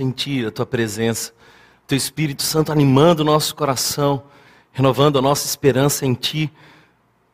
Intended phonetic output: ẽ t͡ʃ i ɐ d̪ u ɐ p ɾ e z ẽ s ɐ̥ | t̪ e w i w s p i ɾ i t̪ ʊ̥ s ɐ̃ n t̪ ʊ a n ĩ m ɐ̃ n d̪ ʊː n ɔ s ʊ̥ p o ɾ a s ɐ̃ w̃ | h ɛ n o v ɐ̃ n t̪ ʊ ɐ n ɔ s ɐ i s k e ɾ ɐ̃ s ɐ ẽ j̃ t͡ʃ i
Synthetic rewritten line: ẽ t͡ʃ i ɐ t̪ u ɐ p ɾ e z ẽ s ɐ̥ | t̪ e w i s p i ɾ i t̪ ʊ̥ s ɐ̃ n t̪ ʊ a n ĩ m ɐ̃ n d̪ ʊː n ɔ s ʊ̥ k o ɾ a s ɐ̃ w̃ | h e n o v ɐ̃ n d̪ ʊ ɐ n ɔ s ɐ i s p e ɾ ɐ̃ s ɐ ẽ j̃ t͡ʃ i